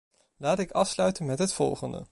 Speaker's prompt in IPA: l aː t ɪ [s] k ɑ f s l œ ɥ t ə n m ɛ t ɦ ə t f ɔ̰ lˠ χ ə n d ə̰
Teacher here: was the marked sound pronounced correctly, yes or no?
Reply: no